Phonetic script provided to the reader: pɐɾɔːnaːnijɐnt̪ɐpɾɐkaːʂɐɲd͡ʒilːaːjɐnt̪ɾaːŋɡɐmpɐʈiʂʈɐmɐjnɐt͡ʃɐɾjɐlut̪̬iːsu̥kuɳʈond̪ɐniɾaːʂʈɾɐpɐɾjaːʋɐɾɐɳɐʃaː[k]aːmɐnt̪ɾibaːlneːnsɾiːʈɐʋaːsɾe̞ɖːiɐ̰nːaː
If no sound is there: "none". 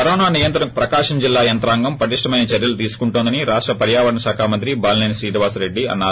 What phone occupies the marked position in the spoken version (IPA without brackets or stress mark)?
kʰ